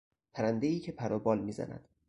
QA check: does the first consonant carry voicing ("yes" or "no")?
no